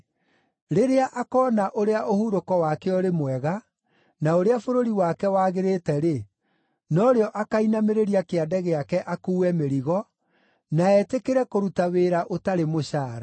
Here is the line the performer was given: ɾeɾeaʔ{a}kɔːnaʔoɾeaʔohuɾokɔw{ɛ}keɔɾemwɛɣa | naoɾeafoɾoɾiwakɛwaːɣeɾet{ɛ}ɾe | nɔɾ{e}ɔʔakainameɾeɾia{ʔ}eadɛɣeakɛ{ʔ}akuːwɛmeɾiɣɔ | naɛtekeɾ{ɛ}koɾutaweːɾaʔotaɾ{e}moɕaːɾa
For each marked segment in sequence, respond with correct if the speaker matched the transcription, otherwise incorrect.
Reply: correct, incorrect, correct, correct, incorrect, correct, correct, correct

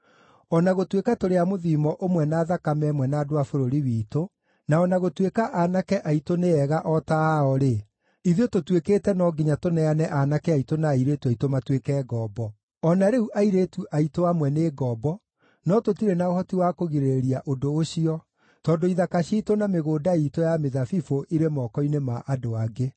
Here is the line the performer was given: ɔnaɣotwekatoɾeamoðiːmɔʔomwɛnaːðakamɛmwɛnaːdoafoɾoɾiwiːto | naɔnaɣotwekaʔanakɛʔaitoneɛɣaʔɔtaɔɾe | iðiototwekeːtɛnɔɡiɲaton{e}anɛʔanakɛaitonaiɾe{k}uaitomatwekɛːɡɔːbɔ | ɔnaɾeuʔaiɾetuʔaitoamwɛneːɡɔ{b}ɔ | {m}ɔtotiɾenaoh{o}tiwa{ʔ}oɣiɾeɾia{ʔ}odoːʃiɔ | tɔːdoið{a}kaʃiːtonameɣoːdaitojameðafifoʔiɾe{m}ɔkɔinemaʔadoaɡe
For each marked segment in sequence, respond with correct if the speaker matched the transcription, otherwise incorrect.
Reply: incorrect, incorrect, correct, incorrect, incorrect, incorrect, correct, correct, correct

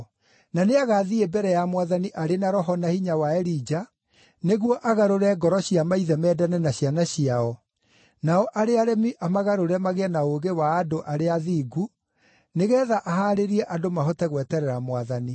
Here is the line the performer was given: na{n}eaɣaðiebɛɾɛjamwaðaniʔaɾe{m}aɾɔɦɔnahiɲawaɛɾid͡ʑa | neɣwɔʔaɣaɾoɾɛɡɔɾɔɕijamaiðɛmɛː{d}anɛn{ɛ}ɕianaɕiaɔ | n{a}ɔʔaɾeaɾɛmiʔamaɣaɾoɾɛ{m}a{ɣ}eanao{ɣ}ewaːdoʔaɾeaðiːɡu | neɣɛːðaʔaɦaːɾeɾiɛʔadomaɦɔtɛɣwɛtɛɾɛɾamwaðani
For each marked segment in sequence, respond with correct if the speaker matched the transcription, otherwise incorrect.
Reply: correct, incorrect, correct, incorrect, correct, correct, correct, correct

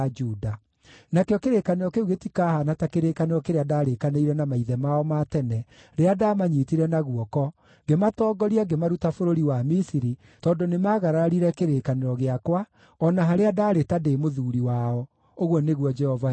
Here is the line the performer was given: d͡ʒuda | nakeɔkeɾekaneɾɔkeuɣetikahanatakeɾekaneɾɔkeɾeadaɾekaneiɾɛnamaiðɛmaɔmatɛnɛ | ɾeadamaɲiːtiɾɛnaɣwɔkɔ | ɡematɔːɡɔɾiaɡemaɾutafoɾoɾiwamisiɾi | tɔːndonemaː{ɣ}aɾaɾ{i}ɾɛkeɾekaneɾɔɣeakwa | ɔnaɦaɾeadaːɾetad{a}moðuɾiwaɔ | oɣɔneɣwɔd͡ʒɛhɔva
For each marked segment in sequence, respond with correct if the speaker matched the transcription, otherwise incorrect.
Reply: correct, correct, incorrect

